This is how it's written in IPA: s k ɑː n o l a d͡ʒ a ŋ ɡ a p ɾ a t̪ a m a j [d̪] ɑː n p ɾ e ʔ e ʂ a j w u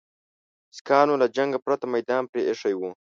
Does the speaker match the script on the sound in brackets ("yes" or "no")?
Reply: yes